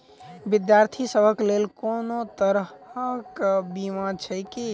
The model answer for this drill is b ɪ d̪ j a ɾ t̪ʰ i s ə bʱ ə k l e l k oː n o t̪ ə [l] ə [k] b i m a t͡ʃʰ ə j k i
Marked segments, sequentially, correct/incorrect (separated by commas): incorrect, correct